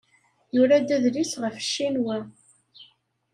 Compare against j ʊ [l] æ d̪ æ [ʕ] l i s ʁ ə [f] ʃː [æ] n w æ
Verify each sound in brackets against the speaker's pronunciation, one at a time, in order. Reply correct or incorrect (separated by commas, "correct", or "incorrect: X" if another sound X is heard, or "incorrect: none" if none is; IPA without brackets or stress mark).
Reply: incorrect: ɾ, incorrect: ð, correct, incorrect: i